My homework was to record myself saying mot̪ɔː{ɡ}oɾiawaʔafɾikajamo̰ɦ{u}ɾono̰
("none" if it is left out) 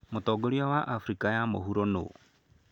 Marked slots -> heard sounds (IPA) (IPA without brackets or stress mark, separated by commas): ɡ, u